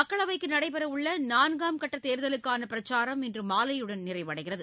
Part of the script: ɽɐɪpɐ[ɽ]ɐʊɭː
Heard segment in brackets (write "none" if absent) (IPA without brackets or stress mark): ɾ